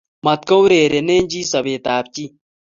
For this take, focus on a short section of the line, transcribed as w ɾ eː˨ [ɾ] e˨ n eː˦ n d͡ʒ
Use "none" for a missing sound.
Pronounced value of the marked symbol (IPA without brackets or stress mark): ɾ